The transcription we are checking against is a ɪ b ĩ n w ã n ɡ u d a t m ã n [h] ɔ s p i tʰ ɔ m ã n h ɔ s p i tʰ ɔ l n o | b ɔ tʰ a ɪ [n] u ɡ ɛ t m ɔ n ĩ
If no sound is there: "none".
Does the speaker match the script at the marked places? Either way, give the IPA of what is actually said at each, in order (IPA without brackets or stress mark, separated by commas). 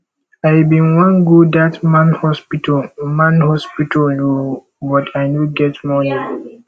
h, n